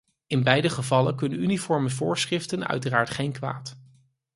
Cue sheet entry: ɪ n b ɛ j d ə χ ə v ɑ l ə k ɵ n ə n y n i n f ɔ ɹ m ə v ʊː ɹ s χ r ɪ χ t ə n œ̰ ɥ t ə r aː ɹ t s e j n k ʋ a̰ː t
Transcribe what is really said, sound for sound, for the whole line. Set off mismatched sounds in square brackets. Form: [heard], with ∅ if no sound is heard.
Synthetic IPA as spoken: ɪ n b ɛ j d ə χ ə v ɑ l ə k ɵ n ə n y n i [∅] f ɔ ɹ m ə v ʊː ɹ s χ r ɪ [f] t ə n œ̰ ɥ t ə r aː ɹ t [χ] e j n k ʋ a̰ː t